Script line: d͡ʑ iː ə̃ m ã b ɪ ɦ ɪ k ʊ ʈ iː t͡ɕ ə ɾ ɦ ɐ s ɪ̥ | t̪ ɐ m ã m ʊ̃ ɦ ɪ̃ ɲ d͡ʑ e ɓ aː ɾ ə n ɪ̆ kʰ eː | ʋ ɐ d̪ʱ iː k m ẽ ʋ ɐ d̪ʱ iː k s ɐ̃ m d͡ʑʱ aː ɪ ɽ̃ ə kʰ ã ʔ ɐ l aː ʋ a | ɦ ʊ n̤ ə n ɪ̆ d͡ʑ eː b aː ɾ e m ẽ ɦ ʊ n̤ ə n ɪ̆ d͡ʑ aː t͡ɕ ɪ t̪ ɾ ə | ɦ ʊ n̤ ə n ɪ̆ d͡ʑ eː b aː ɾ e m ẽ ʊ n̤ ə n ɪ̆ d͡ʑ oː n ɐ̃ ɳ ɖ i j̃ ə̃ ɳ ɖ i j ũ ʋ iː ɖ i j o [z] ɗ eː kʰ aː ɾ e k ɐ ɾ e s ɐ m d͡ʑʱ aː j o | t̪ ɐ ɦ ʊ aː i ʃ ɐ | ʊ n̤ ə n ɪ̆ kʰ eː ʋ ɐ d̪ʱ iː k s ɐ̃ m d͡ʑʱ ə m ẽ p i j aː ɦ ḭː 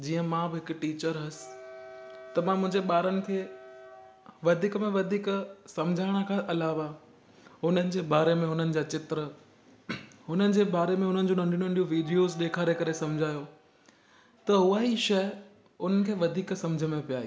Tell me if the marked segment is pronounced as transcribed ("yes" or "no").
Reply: yes